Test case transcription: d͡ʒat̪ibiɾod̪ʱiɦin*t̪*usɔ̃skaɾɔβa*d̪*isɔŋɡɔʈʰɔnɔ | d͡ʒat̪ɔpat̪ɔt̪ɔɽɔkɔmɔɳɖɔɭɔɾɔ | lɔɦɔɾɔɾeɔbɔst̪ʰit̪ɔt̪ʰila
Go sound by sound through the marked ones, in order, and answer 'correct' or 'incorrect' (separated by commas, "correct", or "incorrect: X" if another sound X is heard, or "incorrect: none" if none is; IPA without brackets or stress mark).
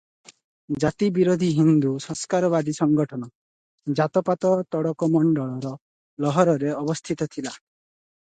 incorrect: d̪, correct